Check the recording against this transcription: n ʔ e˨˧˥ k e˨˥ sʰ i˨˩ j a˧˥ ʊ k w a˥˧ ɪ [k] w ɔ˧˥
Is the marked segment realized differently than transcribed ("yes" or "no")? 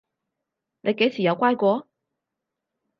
no